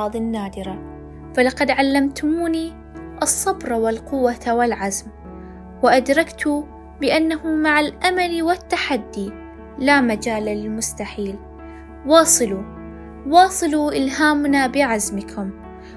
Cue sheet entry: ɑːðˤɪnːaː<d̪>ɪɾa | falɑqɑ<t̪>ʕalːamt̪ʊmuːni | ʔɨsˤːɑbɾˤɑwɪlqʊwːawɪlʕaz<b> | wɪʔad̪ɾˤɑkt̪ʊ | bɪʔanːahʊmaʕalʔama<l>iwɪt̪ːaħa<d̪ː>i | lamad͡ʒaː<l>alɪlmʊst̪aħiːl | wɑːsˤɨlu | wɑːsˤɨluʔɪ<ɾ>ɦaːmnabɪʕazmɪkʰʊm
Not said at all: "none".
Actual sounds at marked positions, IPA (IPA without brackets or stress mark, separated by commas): d̪, d̪, m, l, d̪ː, l, l